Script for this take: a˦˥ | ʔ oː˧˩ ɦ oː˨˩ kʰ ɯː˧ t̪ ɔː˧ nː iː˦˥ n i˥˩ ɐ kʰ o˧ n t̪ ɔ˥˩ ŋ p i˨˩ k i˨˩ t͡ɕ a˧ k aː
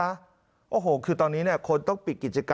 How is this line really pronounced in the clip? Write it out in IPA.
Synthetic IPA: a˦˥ | ʔ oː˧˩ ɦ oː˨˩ kʰ ɯː˧ t̪ ɔː˧ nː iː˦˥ n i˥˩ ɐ kʰ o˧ n t̪ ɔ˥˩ ŋ p i˨˩ k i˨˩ t͡ɕ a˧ k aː